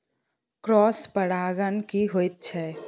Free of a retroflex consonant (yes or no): no